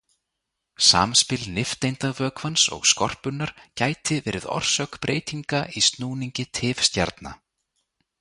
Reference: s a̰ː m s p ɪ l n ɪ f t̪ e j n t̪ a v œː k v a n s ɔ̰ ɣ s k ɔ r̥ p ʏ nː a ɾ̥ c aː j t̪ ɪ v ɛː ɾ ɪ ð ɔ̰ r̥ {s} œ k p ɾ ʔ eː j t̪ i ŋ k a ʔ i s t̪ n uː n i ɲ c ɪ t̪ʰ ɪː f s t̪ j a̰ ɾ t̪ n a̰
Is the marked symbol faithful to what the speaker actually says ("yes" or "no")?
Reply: yes